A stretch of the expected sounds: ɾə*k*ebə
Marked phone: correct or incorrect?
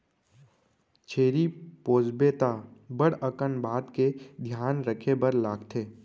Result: incorrect: kʰ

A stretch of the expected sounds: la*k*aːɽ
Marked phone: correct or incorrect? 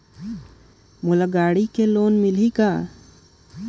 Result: incorrect: ɡ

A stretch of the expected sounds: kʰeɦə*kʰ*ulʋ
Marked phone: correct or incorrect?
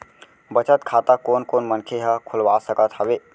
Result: correct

